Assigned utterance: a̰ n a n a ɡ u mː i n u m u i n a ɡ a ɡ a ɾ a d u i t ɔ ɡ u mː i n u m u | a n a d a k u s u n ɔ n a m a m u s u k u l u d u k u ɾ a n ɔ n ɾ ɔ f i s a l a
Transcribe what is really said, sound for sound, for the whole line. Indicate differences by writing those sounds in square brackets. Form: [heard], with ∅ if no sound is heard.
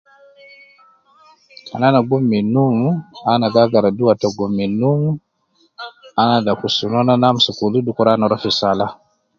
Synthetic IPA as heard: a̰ n a n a ɡ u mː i n u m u [a] n a ɡ a ɡ a ɾ a d u [a] t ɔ ɡ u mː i n u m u | a n a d a k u s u n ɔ n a [n] a m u s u k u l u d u k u ɾ a n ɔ [∅] ɾ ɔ f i s a l a